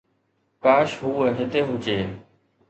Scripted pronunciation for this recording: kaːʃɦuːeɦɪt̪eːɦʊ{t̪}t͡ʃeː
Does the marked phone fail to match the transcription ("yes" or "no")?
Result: yes